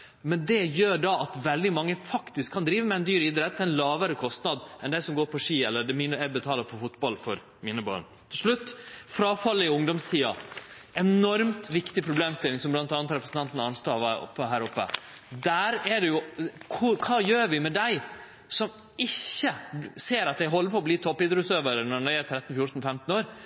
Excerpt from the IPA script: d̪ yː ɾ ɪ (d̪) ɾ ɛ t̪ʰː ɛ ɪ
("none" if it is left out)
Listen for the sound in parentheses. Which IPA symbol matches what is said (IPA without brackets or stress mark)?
d̪